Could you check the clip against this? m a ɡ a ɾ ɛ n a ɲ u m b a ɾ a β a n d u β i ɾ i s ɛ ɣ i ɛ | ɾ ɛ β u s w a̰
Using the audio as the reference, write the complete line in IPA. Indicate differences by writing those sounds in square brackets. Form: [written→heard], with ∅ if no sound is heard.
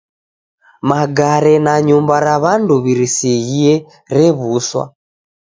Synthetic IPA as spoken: m a ɡ a ɾ ɛ n a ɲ u m b a ɾ a β a n d u β i ɾ i s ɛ ɣ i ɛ | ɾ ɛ β u s w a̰